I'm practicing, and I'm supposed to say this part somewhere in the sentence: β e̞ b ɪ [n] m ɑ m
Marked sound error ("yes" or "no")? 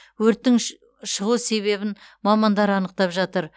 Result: no